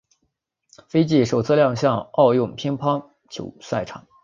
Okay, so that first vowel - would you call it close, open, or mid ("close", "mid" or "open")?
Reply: mid